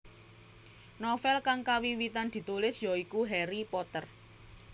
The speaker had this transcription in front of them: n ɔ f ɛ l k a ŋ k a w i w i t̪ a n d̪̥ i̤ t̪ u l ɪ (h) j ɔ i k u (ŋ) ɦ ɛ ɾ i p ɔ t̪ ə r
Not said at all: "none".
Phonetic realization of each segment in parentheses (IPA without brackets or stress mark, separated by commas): s, none